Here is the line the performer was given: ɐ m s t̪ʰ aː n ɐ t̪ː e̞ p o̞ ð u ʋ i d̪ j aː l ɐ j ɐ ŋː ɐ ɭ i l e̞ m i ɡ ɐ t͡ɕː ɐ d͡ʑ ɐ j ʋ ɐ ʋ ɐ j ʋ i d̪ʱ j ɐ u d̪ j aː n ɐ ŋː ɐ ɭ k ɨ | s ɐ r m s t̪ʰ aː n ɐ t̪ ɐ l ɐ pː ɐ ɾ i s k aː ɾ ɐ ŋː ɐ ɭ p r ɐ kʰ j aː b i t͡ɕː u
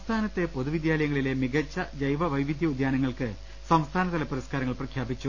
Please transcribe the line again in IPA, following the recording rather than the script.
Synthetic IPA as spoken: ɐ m s t̪ʰ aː n ɐ t̪ː e̞ p o̞ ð u ʋ i d̪ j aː l ɐ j ɐ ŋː ɐ ɭ i l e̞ m i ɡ ɐ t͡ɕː ɐ d͡ʑ ɐ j ʋ ɐ ʋ ɐ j ʋ i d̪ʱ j ɐ u d̪ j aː n ɐ ŋː ɐ ɭ k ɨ | s ɐ m s t̪ʰ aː n ɐ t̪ ɐ l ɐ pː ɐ ɾ i s k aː ɾ ɐ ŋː ɐ ɭ p r ɐ kʰ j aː b i t͡ɕː u